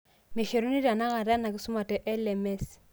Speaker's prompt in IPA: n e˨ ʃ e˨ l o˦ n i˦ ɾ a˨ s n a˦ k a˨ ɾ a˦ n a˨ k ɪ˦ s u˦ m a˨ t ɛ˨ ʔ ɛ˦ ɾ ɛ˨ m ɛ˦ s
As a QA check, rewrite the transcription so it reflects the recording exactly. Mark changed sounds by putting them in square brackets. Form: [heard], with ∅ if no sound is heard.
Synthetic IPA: [m] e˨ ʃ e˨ [ɾ] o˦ n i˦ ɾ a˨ [∅] n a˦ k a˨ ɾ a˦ n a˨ k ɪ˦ s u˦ m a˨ t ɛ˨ ʔ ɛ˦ [l] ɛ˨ m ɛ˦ s